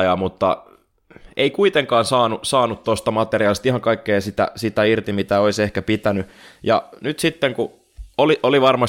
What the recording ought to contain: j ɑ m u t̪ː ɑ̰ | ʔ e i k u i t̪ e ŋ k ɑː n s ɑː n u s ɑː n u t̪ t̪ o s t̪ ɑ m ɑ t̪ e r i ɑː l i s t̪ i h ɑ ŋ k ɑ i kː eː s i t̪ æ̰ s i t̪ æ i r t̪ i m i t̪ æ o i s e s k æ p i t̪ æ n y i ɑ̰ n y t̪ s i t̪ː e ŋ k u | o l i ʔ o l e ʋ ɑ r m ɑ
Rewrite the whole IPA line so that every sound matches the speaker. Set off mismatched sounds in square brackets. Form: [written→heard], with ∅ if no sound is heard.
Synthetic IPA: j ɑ m u t̪ː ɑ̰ | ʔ e i k u i t̪ e ŋ k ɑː n s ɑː n u s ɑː n u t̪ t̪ o s t̪ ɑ m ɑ t̪ e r i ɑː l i s t̪ i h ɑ ŋ k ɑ i kː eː s i t̪ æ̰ s i t̪ æ i r t̪ i m i t̪ æ o i s e [s→h] k æ p i t̪ æ n y [i→j] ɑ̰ n y t̪ s i t̪ː e ŋ k u | o l i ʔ o l [e→i] ʋ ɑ r m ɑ